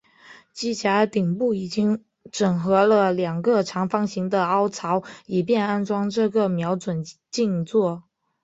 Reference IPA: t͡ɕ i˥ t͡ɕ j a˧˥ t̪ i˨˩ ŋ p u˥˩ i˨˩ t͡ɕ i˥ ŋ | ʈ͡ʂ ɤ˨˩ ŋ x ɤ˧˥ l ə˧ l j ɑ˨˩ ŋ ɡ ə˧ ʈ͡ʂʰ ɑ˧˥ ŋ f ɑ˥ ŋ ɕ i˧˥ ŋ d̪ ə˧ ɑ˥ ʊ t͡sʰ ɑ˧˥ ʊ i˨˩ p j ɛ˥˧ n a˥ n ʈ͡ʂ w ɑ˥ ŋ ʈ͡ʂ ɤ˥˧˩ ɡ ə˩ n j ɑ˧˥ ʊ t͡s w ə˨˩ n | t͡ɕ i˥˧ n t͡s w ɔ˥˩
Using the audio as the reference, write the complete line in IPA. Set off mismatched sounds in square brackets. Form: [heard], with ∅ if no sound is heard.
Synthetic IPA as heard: t͡ɕ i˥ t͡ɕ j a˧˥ t̪ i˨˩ ŋ p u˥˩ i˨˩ t͡ɕ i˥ ŋ | ʈ͡ʂ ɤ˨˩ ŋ x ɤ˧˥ l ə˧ l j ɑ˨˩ ŋ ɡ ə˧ ʈ͡ʂʰ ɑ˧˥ ŋ f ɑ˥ ŋ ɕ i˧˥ ŋ d̪ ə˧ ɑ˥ ʊ t͡sʰ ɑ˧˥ ʊ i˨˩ p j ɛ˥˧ n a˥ n ʈ͡ʂ w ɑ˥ ŋ ʈ͡ʂ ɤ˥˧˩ ɡ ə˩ [m] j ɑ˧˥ ʊ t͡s w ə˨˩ n | t͡ɕ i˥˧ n t͡s w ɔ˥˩

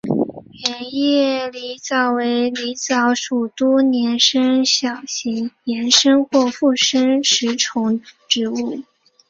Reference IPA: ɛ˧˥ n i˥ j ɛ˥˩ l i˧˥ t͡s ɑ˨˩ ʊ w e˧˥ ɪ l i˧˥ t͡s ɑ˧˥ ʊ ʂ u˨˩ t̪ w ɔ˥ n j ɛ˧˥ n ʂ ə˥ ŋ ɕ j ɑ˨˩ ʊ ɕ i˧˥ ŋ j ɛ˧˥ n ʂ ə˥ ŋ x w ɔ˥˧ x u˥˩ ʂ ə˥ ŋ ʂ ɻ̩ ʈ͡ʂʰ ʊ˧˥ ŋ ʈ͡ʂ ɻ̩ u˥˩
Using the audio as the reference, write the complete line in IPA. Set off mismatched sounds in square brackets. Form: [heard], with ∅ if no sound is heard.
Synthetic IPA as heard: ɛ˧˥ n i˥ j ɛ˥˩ l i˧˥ t͡s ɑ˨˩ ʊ w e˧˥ ɪ l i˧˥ t͡s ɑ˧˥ ʊ ʂ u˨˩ t̪ w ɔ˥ n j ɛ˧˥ n ʂ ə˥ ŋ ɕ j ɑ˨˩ ʊ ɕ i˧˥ ŋ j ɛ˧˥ n ʂ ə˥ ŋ x w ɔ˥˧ [f] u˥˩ ʂ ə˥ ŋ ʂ ɻ̩ ʈ͡ʂʰ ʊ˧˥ ŋ ʈ͡ʂ ɻ̩ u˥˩

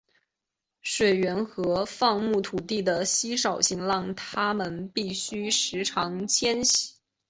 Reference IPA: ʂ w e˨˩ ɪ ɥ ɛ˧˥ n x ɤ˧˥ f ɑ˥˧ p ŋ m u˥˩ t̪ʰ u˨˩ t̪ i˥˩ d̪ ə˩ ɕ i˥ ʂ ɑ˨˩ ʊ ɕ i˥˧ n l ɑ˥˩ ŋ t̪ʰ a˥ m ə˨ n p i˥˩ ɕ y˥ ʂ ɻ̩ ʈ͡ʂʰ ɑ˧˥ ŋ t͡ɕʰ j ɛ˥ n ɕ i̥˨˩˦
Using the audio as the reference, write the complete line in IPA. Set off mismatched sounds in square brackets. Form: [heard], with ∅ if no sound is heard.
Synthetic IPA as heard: ʂ w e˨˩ ɪ ɥ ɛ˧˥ n x ɤ˧˥ f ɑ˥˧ [∅] ŋ m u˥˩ t̪ʰ u˨˩ t̪ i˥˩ d̪ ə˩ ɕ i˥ ʂ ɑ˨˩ ʊ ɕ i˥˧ [ŋ] l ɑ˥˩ ŋ t̪ʰ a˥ m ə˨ n p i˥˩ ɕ y˥ ʂ ɻ̩ ʈ͡ʂʰ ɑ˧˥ ŋ t͡ɕʰ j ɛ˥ n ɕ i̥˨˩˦

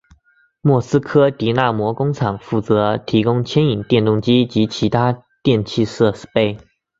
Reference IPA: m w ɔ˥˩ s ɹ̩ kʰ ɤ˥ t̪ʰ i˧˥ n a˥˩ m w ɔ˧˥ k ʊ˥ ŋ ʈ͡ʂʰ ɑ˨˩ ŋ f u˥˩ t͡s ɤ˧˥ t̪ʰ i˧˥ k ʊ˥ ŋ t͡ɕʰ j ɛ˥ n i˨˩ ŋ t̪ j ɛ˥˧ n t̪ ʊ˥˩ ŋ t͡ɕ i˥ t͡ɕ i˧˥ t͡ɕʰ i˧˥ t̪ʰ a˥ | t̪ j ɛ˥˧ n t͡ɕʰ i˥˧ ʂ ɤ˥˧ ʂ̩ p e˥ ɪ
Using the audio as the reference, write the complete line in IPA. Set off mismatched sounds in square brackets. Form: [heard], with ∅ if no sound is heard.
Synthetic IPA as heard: m w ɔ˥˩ s ɹ̩ kʰ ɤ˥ [t̪] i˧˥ n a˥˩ m w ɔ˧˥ k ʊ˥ ŋ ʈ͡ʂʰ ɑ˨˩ ŋ f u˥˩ t͡s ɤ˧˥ t̪ʰ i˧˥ k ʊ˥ ŋ t͡ɕʰ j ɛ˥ n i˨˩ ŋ t̪ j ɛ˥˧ n t̪ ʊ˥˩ ŋ t͡ɕ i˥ t͡ɕ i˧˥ t͡ɕʰ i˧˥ t̪ʰ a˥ | t̪ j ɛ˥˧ n t͡ɕʰ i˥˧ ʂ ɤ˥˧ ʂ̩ p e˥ ɪ

